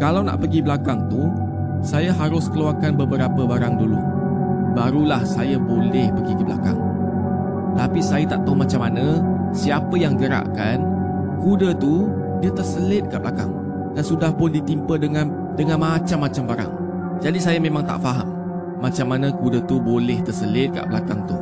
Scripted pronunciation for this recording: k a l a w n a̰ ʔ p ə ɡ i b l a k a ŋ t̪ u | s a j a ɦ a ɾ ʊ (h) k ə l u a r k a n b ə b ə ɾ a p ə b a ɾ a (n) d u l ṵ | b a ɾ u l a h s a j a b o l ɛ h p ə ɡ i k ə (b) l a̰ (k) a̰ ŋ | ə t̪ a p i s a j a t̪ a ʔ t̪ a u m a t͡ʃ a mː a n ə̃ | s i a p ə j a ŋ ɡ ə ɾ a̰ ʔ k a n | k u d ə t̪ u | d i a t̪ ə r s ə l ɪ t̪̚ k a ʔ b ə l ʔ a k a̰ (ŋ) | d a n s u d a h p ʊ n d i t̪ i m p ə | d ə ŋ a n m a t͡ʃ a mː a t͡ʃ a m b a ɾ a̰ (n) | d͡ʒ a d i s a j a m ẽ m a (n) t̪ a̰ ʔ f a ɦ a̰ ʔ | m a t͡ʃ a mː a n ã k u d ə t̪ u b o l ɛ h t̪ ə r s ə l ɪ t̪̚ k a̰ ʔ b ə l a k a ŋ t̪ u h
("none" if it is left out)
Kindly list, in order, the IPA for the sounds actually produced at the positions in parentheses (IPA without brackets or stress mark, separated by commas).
s, ŋ, b, k, ŋ, ŋ, ŋ